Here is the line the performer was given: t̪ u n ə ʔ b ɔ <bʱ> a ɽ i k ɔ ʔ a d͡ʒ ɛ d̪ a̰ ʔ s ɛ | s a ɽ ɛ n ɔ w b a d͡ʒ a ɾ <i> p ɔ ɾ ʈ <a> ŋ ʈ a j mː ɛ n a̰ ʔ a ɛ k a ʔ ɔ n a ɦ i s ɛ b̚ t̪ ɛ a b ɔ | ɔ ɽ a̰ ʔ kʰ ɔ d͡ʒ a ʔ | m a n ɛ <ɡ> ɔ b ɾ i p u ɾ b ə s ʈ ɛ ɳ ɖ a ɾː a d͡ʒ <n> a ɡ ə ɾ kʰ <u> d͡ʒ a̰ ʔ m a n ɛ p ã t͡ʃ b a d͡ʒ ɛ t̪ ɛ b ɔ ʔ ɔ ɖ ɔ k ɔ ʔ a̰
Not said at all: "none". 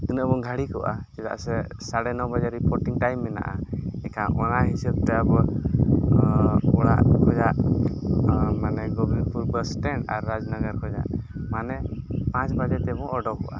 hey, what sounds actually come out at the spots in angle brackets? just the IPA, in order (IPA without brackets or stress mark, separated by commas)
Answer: ɡʱ, i, i, ɡ, n, ɔ